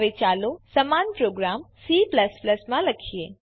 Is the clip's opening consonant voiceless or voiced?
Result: voiced